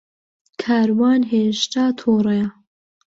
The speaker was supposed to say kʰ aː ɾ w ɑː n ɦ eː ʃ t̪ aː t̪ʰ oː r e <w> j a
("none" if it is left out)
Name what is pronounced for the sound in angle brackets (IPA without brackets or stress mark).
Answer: none